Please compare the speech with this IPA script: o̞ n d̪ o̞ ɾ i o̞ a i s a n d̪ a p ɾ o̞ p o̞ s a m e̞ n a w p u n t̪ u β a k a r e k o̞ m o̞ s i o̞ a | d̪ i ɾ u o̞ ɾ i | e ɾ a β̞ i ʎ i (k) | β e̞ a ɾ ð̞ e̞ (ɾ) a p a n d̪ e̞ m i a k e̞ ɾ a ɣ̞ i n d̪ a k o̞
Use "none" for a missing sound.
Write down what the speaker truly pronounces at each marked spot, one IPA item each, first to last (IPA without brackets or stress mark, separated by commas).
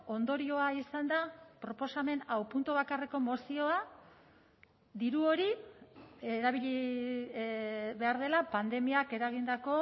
none, l